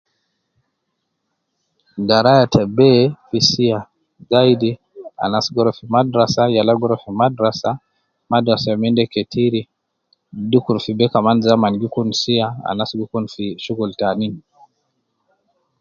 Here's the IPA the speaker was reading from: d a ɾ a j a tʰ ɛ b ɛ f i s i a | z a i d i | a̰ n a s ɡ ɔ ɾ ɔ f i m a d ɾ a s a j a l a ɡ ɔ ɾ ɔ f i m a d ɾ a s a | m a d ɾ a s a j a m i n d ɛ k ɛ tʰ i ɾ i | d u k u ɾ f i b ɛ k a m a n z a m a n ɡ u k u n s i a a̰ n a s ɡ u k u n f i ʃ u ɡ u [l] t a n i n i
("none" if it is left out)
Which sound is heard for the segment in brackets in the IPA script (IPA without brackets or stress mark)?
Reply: l